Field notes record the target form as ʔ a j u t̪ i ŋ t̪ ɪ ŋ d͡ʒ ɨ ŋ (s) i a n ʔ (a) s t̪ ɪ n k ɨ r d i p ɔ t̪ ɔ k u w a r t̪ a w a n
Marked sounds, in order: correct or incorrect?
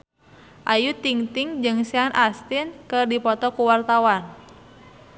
correct, correct

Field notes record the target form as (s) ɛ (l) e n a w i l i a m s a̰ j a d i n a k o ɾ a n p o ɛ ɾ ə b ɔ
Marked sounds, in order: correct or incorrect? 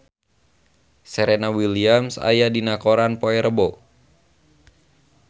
correct, incorrect

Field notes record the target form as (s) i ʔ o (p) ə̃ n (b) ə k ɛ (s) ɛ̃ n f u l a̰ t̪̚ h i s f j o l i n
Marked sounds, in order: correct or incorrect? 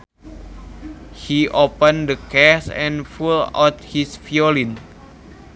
incorrect, correct, incorrect, correct

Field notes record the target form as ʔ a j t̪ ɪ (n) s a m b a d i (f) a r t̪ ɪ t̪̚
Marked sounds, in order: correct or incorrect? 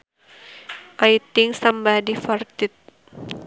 incorrect, correct

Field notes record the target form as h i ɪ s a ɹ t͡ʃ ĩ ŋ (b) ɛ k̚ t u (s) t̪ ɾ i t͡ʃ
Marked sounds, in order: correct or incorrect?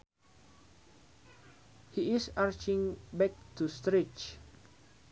correct, correct

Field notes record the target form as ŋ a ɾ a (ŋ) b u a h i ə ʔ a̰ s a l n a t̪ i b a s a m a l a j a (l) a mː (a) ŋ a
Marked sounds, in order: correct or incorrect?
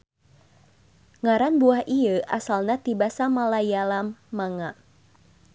incorrect, correct, correct

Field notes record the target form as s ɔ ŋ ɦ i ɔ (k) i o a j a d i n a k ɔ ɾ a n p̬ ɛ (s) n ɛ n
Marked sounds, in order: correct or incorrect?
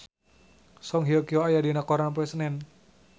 correct, correct

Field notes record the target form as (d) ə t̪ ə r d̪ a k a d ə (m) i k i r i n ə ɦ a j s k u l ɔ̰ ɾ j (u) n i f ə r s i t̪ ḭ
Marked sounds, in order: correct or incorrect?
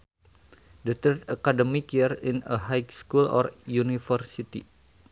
correct, correct, correct

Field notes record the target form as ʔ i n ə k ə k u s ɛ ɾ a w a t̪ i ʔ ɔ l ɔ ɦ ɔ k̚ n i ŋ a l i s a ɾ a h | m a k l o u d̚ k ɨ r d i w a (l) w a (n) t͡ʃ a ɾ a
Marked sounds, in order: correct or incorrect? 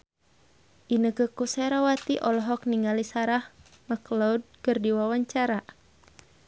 incorrect, incorrect

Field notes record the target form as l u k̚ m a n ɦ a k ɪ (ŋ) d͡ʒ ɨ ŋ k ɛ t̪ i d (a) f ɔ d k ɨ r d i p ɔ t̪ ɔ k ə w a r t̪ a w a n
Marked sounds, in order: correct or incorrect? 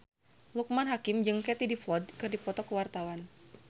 incorrect, incorrect

